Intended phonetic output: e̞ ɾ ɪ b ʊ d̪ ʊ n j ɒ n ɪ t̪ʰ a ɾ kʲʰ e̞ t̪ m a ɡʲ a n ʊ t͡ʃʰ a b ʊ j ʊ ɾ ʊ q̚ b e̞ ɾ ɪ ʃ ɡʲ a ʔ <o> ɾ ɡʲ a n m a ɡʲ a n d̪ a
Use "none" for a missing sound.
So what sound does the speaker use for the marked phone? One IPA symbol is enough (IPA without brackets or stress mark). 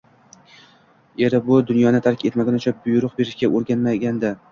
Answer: o